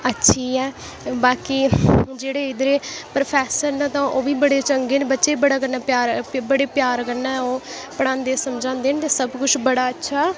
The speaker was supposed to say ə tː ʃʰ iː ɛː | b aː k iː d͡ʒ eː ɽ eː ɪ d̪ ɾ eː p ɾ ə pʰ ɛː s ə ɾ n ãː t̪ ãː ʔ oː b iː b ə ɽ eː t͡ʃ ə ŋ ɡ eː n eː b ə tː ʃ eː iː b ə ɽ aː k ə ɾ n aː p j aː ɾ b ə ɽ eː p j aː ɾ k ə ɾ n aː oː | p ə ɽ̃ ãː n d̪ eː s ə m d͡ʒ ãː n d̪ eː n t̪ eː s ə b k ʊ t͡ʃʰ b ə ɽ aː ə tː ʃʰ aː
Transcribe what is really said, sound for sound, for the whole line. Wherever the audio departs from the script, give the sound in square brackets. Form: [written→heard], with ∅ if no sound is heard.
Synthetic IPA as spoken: ə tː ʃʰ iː ɛː | b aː k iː d͡ʒ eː ɽ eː ɪ d̪ ɾ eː p ɾ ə pʰ ɛː s ə ɾ n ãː t̪ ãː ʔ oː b iː b ə ɽ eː t͡ʃ ə ŋ ɡ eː n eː b ə tː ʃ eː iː b ə ɽ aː k ə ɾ n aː p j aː ɾ b ə ɽ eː p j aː ɾ k ə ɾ n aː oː | p ə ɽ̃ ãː n d̪ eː s ə m d͡ʒ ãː n d̪ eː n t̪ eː s ə b k ʊ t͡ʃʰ b ə ɽ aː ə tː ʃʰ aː